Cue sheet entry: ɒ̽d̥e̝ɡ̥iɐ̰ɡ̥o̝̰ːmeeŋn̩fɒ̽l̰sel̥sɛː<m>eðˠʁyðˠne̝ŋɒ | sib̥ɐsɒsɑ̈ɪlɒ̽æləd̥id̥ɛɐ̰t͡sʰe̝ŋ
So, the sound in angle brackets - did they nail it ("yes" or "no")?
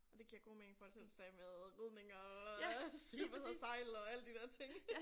yes